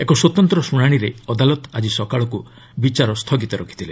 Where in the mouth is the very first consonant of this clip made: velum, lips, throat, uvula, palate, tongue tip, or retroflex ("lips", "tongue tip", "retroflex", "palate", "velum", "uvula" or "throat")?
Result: velum